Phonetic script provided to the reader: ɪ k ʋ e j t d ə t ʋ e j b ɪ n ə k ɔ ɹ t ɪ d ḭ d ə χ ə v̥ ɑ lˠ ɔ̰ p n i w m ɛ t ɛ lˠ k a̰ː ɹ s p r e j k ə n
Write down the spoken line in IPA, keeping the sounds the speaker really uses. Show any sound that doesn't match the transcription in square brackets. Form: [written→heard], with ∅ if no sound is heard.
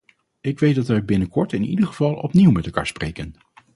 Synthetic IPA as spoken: ɪ k ʋ e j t d [ə→ɑ] t ʋ [e→ɛ] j b ɪ n ə k ɔ ɹ t ɪ [d→n] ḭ d ə χ ə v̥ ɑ lˠ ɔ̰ p n i w m ɛ t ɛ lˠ k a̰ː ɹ s p r e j k ə n

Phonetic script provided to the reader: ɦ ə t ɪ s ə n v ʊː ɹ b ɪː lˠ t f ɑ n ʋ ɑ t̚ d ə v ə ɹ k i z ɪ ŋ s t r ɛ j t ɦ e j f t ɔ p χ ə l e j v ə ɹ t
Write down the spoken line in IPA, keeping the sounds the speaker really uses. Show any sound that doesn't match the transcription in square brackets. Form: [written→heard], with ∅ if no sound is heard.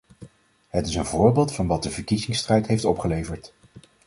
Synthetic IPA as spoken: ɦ ə t ɪ s ə n v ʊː ɹ b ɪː lˠ t f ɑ n ʋ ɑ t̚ d ə v ə ɹ k i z ɪ ŋ s t r ɛ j t ɦ e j f t ɔ p χ ə l e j v ə ɹ t

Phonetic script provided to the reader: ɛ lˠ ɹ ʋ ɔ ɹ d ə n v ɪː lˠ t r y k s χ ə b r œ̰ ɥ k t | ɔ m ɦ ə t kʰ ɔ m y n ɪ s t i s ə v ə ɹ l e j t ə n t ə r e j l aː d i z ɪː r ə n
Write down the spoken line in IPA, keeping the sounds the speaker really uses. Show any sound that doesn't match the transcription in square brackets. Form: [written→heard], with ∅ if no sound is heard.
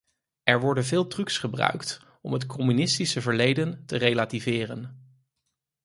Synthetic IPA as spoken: ɛ [lˠ→∅] ɹ ʋ ɔ ɹ d ə n v ɪː lˠ t r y k s χ ə b r œ̰ ɥ k t | ɔ m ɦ ə t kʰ ɔ m y n ɪ s t i s ə v ə ɹ l e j [t→d] ə n t ə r e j l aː [d→t] i [z→v] ɪː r ə n

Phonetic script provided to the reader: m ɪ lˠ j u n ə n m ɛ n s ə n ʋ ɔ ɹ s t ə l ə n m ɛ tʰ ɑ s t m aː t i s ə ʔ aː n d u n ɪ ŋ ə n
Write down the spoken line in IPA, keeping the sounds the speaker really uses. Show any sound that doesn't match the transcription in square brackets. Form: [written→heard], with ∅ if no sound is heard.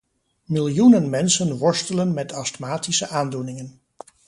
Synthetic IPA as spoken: m ɪ lˠ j u n ə n m ɛ n s ə n ʋ ɔ ɹ s t ə l ə n m ɛ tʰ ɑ s t m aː t i s ə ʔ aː n d u n ɪ ŋ ə n

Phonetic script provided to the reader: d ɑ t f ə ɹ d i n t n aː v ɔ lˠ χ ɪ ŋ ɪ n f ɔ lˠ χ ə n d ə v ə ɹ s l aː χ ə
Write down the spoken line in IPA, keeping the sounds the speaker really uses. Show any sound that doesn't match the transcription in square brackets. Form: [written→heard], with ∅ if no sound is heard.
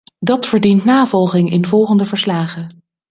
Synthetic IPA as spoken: d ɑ t f ə ɹ d i n t n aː v ɔ lˠ χ ɪ ŋ ɪ n [f→v] ɔ lˠ χ ə n d ə v ə ɹ s l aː χ ə

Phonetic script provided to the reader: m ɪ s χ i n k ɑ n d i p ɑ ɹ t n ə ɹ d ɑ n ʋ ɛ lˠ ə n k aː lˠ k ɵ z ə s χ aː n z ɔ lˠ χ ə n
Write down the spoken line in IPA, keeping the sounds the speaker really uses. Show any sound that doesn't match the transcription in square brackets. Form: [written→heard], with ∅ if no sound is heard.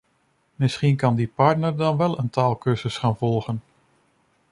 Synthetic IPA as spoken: m ɪ s χ i n k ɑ n d i p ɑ ɹ t n ə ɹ d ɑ n ʋ ɛ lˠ ə n [k→t] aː lˠ k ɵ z ə s χ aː n [z→v] ɔ lˠ χ ə n

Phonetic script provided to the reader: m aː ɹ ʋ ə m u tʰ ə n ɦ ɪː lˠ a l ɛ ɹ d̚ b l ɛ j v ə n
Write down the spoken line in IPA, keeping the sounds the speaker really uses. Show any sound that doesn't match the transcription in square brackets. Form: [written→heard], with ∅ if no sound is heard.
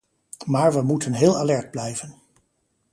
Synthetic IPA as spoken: m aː ɹ ʋ ə m u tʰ ə n ɦ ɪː lˠ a l ɛ ɹ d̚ b l ɛ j v ə n

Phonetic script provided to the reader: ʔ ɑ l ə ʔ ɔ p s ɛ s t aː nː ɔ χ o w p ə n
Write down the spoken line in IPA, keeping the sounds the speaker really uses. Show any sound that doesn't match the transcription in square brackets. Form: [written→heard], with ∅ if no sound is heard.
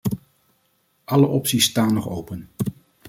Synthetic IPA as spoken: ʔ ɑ l ə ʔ ɔ p s [ɛ→i] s t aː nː ɔ χ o w p ə n

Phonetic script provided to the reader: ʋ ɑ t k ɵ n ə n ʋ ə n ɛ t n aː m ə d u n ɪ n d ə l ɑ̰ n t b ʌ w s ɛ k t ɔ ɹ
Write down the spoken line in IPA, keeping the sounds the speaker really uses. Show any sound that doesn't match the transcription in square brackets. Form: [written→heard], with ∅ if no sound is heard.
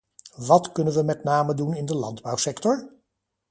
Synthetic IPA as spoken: ʋ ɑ t k ɵ n ə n ʋ ə [n→m] ɛ t n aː m ə d u n ɪ n d ə l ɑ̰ n [t→d] b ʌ w s ɛ k t ɔ ɹ

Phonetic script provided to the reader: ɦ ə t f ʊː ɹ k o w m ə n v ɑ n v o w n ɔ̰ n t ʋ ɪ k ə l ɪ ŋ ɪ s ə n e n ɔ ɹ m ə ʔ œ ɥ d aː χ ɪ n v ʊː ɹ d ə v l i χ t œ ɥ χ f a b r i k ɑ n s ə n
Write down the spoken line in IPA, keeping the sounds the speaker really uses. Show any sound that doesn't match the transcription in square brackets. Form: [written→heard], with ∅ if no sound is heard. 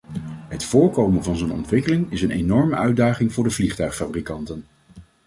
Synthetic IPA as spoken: ɦ ə t f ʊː ɹ k o w m ə n v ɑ n [v→z] o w n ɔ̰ n t ʋ ɪ k ə l ɪ ŋ ɪ s ə n e n ɔ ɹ m ə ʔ œ ɥ d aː χ ɪ [n→ŋ] v ʊː ɹ d ə v l i χ t œ ɥ χ f a b r i k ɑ n [s→t] ə n

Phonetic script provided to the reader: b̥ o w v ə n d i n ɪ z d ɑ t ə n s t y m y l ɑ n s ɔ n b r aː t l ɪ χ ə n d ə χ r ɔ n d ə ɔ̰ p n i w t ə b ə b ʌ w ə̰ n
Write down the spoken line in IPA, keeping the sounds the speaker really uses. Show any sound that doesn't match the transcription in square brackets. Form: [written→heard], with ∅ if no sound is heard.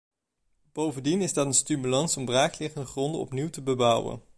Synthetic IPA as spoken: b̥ o w v ə n d i n ɪ z d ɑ t ə n s t y m y l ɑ n s ɔ [n→m] b r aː [t→k] l ɪ χ ə n d ə χ r ɔ n d ə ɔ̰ p n i w t ə b ə b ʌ w ə̰ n

